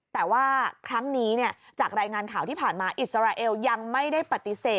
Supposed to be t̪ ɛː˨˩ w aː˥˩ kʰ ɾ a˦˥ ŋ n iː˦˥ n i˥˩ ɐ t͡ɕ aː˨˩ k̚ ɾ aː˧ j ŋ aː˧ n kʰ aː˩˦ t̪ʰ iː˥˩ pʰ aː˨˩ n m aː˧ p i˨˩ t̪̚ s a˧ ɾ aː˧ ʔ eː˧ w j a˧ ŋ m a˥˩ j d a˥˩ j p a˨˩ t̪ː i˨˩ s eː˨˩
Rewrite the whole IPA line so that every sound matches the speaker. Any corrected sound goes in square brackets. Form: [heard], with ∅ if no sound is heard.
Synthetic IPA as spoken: t̪ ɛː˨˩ w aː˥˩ kʰ ɾ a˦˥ ŋ n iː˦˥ n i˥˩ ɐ t͡ɕ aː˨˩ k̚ ɾ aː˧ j ŋ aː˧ n kʰ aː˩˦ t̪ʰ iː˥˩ pʰ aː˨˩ n m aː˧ [ʔ] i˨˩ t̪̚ s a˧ ɾ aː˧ ʔ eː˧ w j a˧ ŋ m a˥˩ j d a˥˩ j p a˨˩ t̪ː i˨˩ s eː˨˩

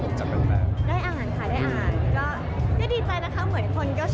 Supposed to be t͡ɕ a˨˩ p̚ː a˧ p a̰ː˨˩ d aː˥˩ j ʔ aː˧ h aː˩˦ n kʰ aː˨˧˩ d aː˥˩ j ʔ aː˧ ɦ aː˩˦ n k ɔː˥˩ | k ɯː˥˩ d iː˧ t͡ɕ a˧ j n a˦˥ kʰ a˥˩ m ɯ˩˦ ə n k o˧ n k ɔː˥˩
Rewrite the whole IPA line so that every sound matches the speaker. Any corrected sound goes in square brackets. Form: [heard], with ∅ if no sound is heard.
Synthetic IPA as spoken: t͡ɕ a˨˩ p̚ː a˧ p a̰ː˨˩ d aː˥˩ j ʔ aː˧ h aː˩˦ n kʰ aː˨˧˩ d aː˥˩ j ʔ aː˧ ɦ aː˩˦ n k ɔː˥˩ | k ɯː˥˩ d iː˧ t͡ɕ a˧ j n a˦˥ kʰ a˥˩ m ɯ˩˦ ə n [kʰ] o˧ n k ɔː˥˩

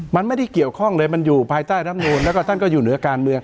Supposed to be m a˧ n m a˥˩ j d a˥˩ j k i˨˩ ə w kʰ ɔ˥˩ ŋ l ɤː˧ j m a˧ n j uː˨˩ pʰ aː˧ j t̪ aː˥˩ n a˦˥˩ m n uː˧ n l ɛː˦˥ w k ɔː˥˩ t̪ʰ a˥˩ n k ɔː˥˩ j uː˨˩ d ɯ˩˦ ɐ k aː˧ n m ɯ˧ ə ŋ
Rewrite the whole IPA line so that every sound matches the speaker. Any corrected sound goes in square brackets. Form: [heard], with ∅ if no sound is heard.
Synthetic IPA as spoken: m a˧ n m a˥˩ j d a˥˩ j k i˨˩ ə w kʰ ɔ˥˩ ŋ l ɤː˧ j m a˧ n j uː˨˩ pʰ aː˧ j t̪ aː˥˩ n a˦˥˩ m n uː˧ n l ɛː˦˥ w k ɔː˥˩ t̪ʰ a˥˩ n k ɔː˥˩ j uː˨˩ [n] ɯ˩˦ ɐ k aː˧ n m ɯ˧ ə ŋ

